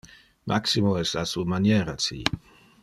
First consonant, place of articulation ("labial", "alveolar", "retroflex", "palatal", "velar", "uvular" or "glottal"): labial